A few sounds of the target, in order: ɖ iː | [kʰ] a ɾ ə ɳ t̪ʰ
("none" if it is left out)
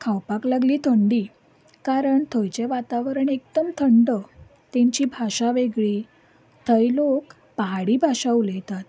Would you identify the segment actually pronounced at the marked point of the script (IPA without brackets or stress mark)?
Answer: k